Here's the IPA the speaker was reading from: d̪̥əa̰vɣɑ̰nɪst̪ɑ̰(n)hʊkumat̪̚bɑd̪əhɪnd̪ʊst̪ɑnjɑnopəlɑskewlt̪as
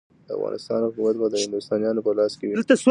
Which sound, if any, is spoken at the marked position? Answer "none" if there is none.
n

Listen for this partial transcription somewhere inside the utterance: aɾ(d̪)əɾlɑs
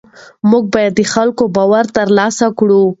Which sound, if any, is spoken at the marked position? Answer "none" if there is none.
t̪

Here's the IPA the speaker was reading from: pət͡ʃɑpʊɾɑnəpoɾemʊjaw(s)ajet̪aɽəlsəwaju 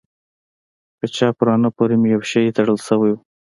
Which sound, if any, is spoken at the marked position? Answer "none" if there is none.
ʃ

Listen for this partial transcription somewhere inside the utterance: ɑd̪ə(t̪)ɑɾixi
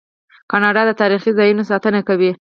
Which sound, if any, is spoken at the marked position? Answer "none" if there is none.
t̪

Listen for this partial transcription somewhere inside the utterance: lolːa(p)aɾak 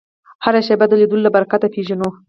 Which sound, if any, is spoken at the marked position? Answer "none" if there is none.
b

